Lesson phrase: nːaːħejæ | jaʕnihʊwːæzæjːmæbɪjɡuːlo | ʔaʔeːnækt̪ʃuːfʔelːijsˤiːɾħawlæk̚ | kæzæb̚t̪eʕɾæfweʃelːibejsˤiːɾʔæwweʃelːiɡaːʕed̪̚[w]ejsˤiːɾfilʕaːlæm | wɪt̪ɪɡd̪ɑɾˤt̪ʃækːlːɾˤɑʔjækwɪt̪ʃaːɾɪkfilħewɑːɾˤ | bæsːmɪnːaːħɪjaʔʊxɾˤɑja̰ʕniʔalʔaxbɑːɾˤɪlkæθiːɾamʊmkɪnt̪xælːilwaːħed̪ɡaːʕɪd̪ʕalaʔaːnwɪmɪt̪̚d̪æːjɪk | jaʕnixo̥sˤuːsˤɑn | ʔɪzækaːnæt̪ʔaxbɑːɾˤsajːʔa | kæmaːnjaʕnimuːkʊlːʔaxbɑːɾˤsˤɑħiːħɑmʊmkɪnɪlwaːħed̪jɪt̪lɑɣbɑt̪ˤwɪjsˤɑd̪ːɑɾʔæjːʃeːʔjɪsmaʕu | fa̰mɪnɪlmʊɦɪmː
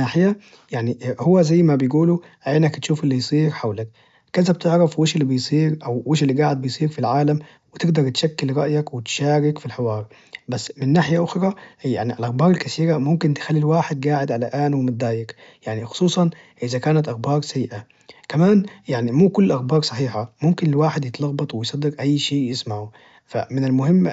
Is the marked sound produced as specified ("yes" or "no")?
no